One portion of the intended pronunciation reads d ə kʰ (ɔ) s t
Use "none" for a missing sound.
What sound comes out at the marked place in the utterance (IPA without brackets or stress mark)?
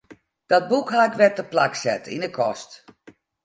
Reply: ɔ